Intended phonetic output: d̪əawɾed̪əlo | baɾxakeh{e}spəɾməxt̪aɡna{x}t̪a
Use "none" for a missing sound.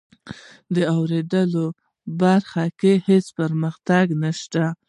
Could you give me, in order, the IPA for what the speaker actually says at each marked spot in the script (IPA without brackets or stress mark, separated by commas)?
e, ʃ